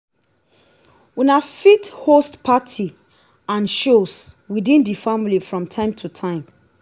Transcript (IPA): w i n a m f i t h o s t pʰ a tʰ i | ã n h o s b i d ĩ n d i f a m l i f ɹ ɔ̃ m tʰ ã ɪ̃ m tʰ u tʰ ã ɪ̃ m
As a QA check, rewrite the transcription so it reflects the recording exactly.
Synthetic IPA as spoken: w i n a f i t h o s t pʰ a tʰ i | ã n ʃ o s w i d ĩ n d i f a m l i f ɹ ɔ̃ m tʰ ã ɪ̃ m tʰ u tʰ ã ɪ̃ m